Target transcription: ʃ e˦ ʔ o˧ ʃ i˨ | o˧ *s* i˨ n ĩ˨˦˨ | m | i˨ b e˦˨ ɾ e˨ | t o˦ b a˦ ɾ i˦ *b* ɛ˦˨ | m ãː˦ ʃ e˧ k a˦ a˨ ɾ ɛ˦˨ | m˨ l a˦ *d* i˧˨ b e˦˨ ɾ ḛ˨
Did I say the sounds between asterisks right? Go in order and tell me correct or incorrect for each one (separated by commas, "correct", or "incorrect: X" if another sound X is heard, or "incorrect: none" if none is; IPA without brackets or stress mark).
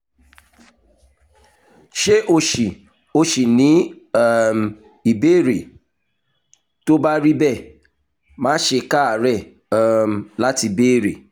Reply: incorrect: ʃ, correct, incorrect: t